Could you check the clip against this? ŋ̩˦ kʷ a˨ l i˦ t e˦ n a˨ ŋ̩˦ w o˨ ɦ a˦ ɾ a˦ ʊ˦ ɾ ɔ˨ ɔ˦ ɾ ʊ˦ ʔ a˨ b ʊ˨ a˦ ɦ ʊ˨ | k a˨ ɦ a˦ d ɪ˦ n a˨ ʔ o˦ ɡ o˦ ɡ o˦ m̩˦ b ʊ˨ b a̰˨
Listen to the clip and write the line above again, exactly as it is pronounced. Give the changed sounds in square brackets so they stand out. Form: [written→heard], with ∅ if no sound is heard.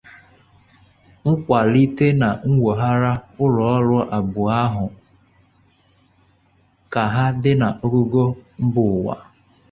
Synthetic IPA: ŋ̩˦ kʷ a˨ l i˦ t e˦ n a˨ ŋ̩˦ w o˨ ɦ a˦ ɾ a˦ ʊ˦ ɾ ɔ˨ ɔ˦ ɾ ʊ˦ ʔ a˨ b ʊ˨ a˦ ɦ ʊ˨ | k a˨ ɦ a˦ d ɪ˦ n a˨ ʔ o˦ ɡ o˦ ɡ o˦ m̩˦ b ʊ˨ [b→w] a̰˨